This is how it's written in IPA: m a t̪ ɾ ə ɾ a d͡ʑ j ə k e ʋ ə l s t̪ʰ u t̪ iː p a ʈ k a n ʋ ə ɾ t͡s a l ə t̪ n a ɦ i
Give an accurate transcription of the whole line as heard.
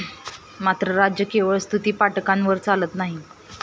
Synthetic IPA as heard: m a t̪ ɾ ə ɾ a d͡ʑ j ə k e ʋ ə ɭ s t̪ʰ u t̪ iː p a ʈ k a n ʋ ə ɾ t͡s a l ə t̪ n a ɦ i